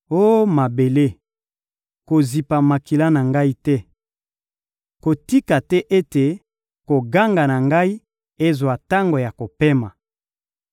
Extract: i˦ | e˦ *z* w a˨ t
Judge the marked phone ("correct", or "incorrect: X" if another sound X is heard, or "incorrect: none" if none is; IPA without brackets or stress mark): correct